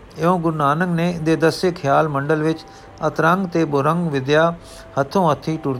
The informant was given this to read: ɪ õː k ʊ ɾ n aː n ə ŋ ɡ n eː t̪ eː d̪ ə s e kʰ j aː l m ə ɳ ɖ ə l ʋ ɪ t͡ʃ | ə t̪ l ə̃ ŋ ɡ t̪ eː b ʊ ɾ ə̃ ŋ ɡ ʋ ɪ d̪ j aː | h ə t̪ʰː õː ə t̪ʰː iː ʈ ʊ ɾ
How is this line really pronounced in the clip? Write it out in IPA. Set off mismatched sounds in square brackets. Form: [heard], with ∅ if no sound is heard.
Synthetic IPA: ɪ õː [ɡ] ʊ ɾ n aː n ə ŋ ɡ n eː [d̪] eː d̪ ə s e kʰ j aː l m ə ɳ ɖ ə l ʋ ɪ t͡ʃ | ə t̪ [ɾ] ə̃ ŋ ɡ t̪ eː b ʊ ɾ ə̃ ŋ ɡ ʋ ɪ d̪ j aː | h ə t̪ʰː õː ə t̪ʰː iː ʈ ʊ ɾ